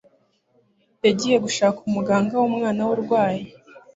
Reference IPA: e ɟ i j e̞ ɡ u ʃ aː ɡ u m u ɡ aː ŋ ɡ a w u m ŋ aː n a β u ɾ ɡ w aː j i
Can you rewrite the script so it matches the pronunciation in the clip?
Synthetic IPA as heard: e ɟ i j e̞ ɡ u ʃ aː k u m u ɡ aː ŋ ɡ a w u m ŋ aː n a w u ɾ ɡ w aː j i